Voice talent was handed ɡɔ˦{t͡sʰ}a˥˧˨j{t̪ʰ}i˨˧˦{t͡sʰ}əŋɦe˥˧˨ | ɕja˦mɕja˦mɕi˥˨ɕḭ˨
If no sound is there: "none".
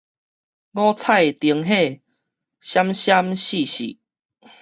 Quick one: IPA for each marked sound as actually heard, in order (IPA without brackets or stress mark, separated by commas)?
t͡sʰ, t̪, none